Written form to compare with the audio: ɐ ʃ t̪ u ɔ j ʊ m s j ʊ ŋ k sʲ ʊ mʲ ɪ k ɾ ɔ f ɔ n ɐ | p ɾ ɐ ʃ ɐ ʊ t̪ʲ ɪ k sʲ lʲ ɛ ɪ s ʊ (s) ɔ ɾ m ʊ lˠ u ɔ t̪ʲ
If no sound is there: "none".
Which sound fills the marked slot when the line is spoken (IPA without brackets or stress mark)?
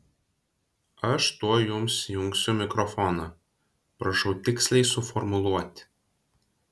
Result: f